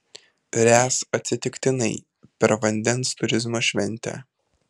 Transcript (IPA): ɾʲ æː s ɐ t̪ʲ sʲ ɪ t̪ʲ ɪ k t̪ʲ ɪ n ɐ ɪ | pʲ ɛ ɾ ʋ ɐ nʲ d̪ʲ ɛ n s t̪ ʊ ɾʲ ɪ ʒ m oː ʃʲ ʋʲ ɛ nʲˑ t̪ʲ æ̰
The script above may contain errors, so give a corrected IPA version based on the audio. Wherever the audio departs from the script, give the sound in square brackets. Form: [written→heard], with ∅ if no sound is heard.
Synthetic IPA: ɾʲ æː s ɐ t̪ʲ sʲ ɪ t̪ʲ ɪ k t̪ʲ ɪ n ɐ ɪ | pʲ ɛ ɾ ʋ ɐ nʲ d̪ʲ ɛ n s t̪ ʊ ɾʲ ɪ [ʒ→z] m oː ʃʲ ʋʲ ɛ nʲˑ t̪ʲ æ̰